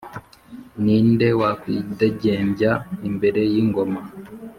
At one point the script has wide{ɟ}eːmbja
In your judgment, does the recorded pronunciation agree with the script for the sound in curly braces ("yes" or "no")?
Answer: yes